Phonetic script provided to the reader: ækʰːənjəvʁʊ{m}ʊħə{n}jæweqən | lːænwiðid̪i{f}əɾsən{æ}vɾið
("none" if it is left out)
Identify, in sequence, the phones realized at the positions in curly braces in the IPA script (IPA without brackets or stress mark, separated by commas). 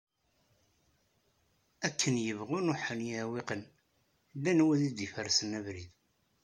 n, n, f, æ